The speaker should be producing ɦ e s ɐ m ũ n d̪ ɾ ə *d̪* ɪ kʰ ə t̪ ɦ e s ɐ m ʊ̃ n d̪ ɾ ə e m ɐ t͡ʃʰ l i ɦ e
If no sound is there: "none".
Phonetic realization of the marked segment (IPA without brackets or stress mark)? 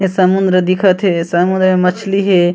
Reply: d̪